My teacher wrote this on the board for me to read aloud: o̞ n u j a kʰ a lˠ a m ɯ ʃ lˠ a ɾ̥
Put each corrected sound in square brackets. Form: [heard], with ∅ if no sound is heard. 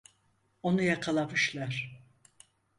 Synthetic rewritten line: o̞ n u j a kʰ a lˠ a m ɯ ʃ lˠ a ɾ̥